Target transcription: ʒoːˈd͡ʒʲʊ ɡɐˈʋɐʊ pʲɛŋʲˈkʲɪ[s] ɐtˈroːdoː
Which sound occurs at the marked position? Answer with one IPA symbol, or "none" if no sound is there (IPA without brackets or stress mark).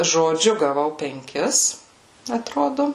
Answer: s